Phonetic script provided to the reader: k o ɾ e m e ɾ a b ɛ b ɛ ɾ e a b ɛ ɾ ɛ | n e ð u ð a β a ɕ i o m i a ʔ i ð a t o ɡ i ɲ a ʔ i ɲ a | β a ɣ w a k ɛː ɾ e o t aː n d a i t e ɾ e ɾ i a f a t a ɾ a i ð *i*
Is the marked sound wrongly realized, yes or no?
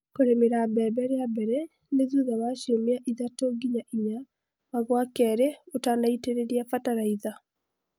yes